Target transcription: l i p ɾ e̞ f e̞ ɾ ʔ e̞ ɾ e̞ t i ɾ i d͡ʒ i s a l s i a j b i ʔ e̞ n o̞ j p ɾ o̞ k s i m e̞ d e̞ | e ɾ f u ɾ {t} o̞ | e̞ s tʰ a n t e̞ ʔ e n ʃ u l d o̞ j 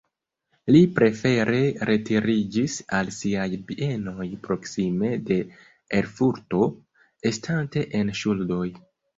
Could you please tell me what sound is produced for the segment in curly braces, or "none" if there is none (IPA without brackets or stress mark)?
t